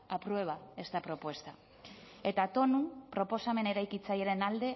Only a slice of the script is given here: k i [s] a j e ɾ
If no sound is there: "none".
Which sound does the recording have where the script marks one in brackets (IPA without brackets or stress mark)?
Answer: t͡s